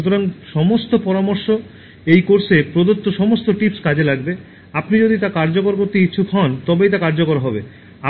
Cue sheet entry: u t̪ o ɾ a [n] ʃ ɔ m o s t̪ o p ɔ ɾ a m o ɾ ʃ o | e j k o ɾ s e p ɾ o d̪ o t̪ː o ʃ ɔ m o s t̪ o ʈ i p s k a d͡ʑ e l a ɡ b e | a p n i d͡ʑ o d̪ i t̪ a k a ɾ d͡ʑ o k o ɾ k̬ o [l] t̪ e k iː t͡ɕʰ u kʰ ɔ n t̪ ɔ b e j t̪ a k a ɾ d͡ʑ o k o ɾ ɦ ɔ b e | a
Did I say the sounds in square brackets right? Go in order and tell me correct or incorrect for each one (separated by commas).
incorrect, incorrect